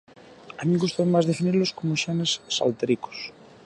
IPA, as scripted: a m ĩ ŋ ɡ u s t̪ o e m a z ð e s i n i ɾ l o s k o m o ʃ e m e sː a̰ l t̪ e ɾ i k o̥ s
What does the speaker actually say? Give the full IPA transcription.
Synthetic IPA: a m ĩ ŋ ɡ u s t̪ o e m a z ð e f i n i ɾ l o s k o m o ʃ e n e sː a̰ l t̪ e ɾ i k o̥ s